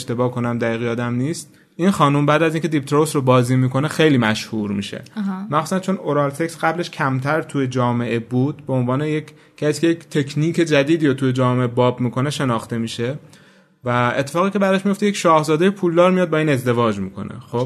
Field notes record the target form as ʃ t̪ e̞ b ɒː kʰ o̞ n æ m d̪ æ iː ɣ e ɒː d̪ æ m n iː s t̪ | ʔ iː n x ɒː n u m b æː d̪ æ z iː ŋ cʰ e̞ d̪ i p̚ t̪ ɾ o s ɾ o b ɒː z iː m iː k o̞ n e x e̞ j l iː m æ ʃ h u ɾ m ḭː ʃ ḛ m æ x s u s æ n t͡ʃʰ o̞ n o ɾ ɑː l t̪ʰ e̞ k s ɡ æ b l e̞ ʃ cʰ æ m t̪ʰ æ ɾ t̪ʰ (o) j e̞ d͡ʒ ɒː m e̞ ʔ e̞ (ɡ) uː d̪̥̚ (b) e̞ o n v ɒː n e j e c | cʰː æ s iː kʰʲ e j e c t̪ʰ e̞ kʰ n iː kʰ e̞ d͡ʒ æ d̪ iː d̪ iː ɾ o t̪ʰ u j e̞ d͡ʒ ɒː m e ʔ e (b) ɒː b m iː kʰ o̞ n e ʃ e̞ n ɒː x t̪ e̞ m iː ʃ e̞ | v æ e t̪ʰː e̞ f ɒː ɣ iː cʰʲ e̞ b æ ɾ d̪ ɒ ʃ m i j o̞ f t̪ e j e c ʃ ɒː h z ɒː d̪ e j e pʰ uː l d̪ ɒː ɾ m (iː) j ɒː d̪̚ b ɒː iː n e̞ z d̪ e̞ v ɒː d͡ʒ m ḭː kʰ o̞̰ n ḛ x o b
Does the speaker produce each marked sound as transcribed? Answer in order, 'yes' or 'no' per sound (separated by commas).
no, no, yes, yes, no